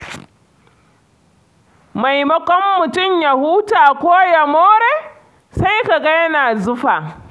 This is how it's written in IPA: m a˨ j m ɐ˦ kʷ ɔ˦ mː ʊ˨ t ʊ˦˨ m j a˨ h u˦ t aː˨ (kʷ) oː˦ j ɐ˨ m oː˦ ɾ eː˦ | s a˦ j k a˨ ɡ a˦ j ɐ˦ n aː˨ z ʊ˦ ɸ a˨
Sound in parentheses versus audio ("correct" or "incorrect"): correct